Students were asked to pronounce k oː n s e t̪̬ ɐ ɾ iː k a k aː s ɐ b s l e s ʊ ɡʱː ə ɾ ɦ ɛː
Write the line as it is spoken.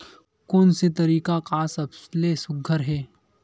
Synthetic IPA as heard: k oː n s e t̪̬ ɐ ɾ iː k a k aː s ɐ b s l e s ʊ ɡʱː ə ɾ ɦ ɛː